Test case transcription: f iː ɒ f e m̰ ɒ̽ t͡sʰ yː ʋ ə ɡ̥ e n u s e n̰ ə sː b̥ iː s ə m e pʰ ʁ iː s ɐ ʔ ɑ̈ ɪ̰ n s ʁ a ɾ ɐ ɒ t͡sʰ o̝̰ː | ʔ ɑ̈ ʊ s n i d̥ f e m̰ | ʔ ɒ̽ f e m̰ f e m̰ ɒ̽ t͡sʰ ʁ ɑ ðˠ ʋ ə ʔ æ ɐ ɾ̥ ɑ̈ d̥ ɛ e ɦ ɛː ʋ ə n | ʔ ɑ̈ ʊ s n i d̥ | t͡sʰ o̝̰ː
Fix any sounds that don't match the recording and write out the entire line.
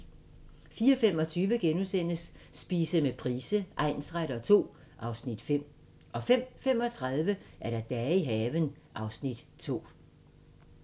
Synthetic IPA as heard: f iː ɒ f e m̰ ɒ̽ t͡sʰ yː ʋ ə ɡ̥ e n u s e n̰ ə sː b̥ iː s ə m e pʰ ʁ iː s ə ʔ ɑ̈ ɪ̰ n s ʁ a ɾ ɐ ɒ t͡sʰ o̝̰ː | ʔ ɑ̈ ʊ s n i d̥ f e m̰ | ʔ ɒ̽ f e m̰ f e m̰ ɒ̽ t͡sʰ ʁ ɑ ðˠ ʋ ə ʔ æ ɐ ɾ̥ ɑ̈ d̥ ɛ i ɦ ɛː ʋ ə n | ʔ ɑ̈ ʊ s n i d̥ | t͡sʰ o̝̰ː